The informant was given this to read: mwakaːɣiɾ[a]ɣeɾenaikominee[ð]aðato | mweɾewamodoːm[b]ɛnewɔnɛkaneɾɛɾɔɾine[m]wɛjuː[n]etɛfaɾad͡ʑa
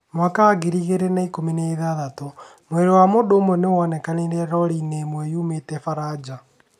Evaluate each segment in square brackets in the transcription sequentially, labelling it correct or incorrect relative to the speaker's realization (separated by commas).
incorrect, correct, incorrect, correct, incorrect